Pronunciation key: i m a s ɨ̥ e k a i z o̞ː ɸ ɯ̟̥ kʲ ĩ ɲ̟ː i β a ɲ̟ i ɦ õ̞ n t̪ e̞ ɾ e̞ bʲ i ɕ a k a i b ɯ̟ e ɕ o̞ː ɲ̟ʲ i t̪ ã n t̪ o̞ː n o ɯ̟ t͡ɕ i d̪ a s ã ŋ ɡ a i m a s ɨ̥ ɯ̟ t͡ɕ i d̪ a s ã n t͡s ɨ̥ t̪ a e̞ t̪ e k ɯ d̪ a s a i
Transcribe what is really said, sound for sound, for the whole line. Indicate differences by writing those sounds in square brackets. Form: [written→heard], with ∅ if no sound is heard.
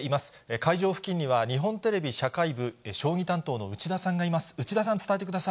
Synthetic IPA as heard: i m a s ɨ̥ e k a i [z→ʑ] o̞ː ɸ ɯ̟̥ kʲ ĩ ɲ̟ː i β a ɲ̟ i ɦ õ̞ n t̪ e̞ ɾ e̞ bʲ i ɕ a k a i b ɯ̟ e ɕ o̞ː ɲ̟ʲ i t̪ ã n t̪ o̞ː n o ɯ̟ t͡ɕ i d̪ a s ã ŋ ɡ a i m a s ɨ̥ ɯ̟ t͡ɕ i d̪ a s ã n t͡s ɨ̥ t̪ a e̞ t̪ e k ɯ d̪ a s a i